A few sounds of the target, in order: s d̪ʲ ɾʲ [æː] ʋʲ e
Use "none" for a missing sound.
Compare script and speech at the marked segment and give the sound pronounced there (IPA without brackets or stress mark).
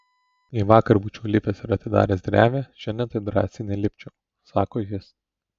æː